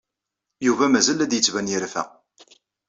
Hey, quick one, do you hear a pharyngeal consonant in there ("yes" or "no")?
no